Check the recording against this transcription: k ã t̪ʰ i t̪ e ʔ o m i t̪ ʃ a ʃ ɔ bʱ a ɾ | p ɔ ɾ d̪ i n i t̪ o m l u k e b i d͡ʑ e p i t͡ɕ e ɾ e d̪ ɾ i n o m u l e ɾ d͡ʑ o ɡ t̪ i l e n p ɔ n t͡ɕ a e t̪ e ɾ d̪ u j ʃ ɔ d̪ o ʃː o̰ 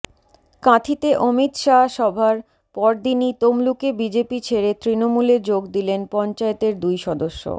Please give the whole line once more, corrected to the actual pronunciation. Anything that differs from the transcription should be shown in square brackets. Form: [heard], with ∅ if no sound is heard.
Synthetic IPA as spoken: k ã t̪ʰ i t̪ e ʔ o m i t̪ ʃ a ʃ ɔ bʱ a ɾ | p ɔ ɾ d̪ i n i t̪ o m l u k e b i d͡ʑ e p i [t͡ɕʰ] e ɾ e [t̪] ɾ i n o m u l e ɾ d͡ʑ o ɡ [d̪] i l e n p ɔ n t͡ɕ a e t̪ e ɾ d̪ u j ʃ ɔ d̪ o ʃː o̰

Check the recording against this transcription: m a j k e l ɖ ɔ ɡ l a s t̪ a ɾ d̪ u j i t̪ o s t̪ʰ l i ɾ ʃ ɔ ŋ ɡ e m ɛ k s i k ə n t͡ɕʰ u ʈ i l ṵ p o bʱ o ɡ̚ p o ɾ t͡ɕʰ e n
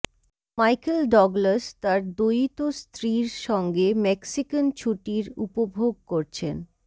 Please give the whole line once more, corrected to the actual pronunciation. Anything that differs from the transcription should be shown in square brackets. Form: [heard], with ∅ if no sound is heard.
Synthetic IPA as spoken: m a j k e l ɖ ɔ ɡ l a s t̪ a ɾ d̪ [o] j i t̪ o s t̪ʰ [ɾ] i ɾ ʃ ɔ ŋ ɡ e m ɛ k s i k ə n t͡ɕʰ u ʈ i [ɾ] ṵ p o bʱ o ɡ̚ [k] o ɾ t͡ɕʰ e n

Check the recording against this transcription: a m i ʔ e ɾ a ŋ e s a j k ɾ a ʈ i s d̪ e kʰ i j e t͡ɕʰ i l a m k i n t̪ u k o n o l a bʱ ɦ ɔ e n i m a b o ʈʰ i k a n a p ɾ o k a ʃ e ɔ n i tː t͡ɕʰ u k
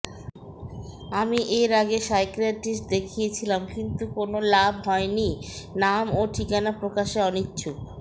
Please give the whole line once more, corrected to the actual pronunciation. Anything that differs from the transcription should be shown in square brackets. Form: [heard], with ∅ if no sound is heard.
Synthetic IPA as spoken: a m i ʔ e ɾ a [ɡ] e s a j k ɾ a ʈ i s d̪ e kʰ i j e t͡ɕʰ i l a m k i n t̪ u k o n o l a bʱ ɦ ɔ e n i [n] a [m] o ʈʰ i k a n a p ɾ o k a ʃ e ɔ n i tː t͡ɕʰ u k

